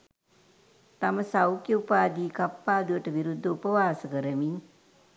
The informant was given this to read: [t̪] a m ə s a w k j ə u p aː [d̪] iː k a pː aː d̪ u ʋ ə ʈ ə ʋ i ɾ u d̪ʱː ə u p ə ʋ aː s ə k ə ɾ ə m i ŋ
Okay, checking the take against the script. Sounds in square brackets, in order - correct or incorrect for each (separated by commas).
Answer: correct, correct